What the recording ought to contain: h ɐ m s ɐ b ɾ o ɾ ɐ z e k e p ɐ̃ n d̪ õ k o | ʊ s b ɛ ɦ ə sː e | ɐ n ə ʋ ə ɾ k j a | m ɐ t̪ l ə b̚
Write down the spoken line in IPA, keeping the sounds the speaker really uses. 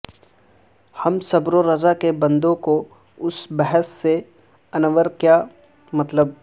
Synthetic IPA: h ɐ m s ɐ b ɾ o ɾ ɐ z a k e b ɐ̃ n d̪ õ k o | ʊ s b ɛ ɦ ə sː e | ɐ n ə ʋ ə ɾ k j a | m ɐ t̪ l ə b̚